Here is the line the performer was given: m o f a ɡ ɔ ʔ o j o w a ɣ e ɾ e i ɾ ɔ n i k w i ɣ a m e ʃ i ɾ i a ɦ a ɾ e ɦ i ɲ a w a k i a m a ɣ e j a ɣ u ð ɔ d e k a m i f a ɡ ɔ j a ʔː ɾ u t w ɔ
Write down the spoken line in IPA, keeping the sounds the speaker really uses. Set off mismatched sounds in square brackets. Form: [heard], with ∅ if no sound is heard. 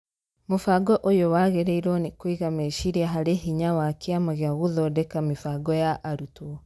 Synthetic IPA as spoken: m o f a ɡ ɔ ʔ o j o w a ɣ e ɾ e i ɾ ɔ n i k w i ɣ a m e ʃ i ɾ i a ɦ a ɾ e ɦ i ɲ a w a k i a m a ɣ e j a ɣ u ð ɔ d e k a m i f a ɡ ɔ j a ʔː ɾ u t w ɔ